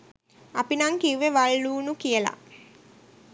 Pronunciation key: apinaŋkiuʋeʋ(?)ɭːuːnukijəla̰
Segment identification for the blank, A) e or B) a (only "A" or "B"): B